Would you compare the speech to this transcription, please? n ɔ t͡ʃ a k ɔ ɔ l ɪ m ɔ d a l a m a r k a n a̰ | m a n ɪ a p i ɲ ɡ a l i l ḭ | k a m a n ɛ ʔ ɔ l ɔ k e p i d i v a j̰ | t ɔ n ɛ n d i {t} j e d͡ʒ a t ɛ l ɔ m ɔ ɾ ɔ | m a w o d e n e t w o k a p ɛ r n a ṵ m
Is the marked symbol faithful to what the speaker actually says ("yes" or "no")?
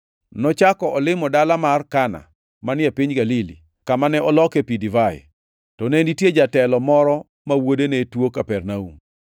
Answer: yes